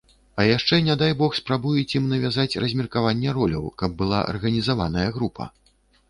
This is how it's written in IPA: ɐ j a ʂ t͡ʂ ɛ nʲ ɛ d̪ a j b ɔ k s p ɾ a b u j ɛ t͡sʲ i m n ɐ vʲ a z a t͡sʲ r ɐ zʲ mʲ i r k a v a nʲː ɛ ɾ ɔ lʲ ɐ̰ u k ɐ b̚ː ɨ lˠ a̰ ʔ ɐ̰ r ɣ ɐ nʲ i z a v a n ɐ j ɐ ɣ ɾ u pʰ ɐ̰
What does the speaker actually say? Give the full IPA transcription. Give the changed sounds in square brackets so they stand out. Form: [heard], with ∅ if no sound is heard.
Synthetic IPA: ɐ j a ʂ t͡ʂ ɛ nʲ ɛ d̪ a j b ɔ [x] s p ɾ a b u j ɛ t͡sʲ i m n ɐ vʲ a z a t͡sʲ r ɐ zʲ mʲ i r k a v a nʲː ɛ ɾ ɔ lʲ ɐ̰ [w] k ɐ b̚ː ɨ lˠ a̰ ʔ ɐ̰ r ɣ ɐ nʲ i z a v a n ɐ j ɐ ɣ ɾ u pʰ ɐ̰